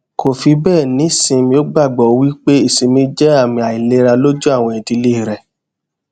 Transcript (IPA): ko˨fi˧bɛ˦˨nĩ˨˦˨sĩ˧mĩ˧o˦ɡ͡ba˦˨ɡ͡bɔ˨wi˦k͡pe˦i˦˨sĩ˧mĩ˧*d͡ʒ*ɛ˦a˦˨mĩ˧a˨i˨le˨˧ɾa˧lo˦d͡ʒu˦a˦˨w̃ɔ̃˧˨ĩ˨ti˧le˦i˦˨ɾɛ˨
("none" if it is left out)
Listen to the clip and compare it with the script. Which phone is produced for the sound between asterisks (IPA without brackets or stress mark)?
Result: d͡ʒ